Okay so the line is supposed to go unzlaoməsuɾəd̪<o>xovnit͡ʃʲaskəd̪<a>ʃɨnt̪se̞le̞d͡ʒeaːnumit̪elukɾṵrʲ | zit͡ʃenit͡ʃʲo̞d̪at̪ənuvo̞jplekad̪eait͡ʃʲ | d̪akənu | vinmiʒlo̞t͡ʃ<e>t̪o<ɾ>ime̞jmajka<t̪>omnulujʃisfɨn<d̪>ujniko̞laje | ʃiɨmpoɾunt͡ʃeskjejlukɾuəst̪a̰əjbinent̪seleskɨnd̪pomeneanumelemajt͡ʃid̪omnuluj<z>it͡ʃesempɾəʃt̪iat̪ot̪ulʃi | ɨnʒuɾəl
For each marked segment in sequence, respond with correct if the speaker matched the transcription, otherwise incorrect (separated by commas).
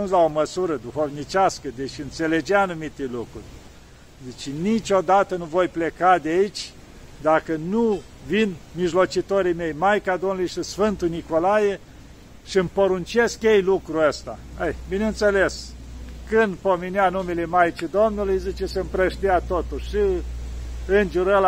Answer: incorrect, incorrect, incorrect, correct, incorrect, incorrect, correct